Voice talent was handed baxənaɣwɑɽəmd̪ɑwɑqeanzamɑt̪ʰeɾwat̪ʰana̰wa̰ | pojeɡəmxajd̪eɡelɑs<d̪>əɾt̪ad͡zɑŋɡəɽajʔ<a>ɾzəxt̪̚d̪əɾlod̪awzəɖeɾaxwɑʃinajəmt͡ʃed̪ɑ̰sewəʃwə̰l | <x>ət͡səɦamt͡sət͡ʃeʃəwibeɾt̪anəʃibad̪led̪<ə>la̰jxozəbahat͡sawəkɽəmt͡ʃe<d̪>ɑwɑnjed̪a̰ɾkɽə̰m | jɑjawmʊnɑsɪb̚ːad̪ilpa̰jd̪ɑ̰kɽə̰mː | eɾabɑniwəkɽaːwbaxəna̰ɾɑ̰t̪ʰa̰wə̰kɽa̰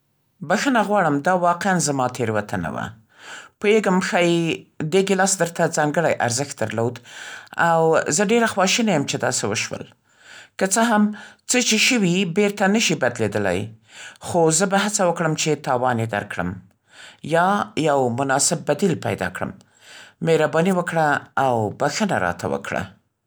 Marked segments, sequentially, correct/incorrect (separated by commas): correct, correct, incorrect, correct, incorrect